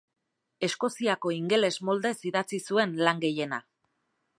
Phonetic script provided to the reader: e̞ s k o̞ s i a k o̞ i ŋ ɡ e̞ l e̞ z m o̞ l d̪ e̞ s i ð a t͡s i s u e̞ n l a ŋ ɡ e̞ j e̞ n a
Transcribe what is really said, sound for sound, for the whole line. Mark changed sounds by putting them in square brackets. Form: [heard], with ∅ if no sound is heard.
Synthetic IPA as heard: e̞ s k o̞ s i a k o̞ i ŋ ɡ e̞ l e̞ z m o̞ l d̪ e̞ s i ð a t͡s i s u e̞ n l a ŋ ɡ e̞ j e̞ n a

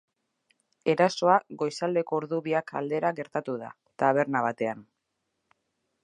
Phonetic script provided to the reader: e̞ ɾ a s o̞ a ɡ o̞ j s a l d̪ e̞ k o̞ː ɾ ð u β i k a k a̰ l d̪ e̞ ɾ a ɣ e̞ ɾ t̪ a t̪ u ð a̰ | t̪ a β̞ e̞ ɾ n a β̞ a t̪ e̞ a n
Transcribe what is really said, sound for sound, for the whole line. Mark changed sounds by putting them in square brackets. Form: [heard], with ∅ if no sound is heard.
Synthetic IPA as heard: e̞ ɾ a s o̞ a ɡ o̞ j s a l d̪ e̞ k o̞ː ɾ ð u β i [∅] a k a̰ l d̪ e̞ ɾ a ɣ e̞ ɾ t̪ a t̪ u ð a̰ | t̪ a β̞ e̞ ɾ n a β̞ a t̪ e̞ a n

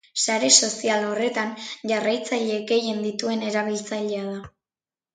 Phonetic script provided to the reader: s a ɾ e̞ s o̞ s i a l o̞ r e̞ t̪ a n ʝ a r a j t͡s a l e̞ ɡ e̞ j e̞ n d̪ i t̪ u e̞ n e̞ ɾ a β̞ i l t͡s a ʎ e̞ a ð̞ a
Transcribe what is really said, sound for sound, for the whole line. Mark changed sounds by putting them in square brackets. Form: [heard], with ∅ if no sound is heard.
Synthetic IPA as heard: s a ɾ e̞ s o̞ s i a l o̞ r e̞ t̪ a n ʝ a r a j t͡s a [ʎ] e̞ ɡ e̞ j e̞ n d̪ i t̪ u e̞ n e̞ ɾ a β̞ i l t͡s a ʎ e̞ a ð̞ a

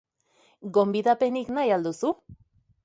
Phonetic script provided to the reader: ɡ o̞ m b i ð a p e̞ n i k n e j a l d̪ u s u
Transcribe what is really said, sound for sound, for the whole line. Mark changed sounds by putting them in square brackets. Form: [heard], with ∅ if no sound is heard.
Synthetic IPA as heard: ɡ o̞ m b i ð a p e̞ n i k n [a] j a l d̪ u s u

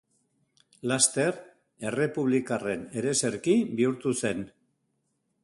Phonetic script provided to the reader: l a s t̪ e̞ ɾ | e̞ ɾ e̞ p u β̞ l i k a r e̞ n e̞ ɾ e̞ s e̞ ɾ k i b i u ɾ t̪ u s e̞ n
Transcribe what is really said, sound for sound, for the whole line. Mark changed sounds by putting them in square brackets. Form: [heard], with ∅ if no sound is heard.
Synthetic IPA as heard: l a s t̪ e̞ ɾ | e̞ [r] e̞ p u β̞ l i k a r e̞ n e̞ ɾ e̞ s e̞ ɾ k i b i u ɾ t̪ u s e̞ n

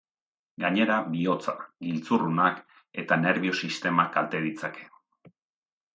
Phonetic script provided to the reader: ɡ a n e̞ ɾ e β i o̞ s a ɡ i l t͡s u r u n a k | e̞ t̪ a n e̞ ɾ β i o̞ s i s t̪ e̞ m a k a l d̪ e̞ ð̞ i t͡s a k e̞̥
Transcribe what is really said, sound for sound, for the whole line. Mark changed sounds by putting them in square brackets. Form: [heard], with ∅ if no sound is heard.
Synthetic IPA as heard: ɡ a [ɲ] e̞ ɾ [a] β i o̞ [t͡s] a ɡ i l t͡s u r u n a k | e̞ t̪ a n e̞ ɾ β i o̞ s i s t̪ e̞ m a k a l [t̪] e̞ ð̞ i t͡s a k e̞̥

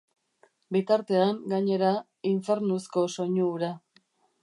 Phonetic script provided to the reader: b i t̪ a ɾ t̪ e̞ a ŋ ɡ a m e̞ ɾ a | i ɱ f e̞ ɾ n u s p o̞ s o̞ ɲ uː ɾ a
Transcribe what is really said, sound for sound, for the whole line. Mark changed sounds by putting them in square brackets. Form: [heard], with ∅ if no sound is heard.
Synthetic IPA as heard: b i t̪ a ɾ t̪ e̞ a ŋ ɡ a [ɲ] e̞ ɾ a | i ɱ f e̞ ɾ n u s [k] o̞ s o̞ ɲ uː ɾ a

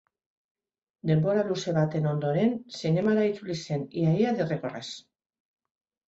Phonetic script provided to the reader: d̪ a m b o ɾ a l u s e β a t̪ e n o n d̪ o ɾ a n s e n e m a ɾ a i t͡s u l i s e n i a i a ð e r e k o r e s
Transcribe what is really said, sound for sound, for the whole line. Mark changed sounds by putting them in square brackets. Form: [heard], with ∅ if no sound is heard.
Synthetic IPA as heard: d̪ [e] m b o ɾ a l u s e β a t̪ e n o n d̪ o ɾ [e] n s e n e m a ɾ a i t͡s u l i s e n i a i a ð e r e k o r e s

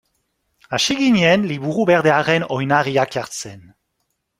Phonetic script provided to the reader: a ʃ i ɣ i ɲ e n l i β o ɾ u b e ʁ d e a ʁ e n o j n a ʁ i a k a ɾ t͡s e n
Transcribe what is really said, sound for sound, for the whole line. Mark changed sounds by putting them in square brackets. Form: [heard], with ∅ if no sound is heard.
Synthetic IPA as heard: a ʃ i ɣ i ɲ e n l i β [u] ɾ u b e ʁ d e a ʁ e n o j n a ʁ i a k a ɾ t͡s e n

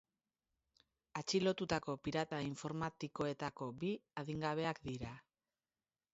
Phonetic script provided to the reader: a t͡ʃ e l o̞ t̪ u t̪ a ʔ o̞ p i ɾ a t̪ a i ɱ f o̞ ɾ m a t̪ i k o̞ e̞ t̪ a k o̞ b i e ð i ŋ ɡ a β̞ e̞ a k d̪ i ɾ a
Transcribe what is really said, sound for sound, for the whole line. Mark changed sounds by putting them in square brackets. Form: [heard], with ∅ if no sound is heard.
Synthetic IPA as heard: a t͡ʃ [i] l o̞ t̪ u t̪ a [k] o̞ p i ɾ a t̪ a i ɱ f o̞ ɾ m a t̪ i k o̞ e̞ t̪ a k o̞ b i [a] ð i ŋ ɡ a β̞ e̞ a k d̪ i ɾ a

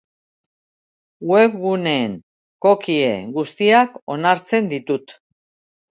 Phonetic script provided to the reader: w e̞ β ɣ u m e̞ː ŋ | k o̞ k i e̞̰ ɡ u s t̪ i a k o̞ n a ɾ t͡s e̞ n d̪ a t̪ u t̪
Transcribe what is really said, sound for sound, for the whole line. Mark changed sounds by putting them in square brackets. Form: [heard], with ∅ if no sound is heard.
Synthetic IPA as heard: w e̞ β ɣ u [n] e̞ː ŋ | k o̞ k i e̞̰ ɡ u s t̪ i a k o̞ n a ɾ t͡s e̞ n d̪ [i] t̪ u t̪

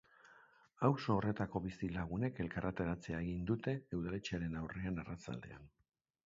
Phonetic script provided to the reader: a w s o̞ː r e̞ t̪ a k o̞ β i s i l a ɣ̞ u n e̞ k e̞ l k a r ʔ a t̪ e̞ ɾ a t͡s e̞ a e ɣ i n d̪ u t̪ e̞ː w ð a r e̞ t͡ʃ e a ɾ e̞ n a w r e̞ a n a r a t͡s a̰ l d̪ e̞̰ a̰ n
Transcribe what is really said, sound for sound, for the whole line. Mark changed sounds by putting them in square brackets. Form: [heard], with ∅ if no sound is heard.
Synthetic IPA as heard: a w s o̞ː r e̞ t̪ a k o̞ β i s i l a ɣ̞ u n e̞ k e̞ l k a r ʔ a t̪ e̞ ɾ a t͡s e̞ a e ɣ i n d̪ u t̪ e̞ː w ð a [l] e̞ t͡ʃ e a ɾ e̞ n a w r e̞ a n a r a t͡s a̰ l d̪ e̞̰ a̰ n

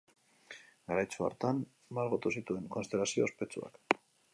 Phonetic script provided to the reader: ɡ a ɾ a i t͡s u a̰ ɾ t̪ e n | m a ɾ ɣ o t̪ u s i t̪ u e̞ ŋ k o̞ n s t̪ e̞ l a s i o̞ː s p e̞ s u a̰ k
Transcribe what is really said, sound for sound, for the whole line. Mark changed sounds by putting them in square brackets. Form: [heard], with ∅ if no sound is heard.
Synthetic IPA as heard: ɡ a ɾ a [j] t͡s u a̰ ɾ t̪ [a] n | m a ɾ ɣ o t̪ u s i t̪ u e̞ ŋ k o̞ n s t̪ e̞ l a s i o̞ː s p e̞ [t͡s] u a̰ k

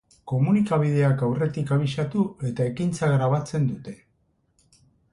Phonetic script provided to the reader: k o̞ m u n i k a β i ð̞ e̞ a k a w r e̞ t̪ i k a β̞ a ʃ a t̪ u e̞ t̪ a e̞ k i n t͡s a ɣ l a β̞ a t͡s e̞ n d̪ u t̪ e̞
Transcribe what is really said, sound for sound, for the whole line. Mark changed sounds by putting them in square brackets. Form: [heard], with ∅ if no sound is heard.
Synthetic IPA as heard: k o̞ m u n i k a β i ð̞ e̞ a k a w r e̞ t̪ i k a β̞ [i] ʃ a t̪ u e̞ t̪ a e̞ k i n t͡s a ɣ [ɾ] a β̞ a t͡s e̞ n d̪ u t̪ e̞

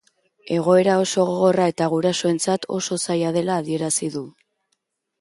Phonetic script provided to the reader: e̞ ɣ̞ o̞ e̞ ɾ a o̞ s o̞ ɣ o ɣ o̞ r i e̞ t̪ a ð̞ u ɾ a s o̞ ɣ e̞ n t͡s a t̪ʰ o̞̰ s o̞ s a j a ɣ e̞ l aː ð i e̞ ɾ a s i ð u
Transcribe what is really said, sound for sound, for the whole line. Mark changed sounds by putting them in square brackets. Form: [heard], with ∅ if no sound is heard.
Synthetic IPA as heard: e̞ ɣ̞ o̞ e̞ ɾ a o̞ s o̞ ɣ o ɣ o̞ r [a] e̞ t̪ a [ɣ̞] u ɾ a s o̞ [∅] e̞ n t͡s a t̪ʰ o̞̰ s o̞ s a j a [ð] e̞ l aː ð i e̞ ɾ a s i ð u

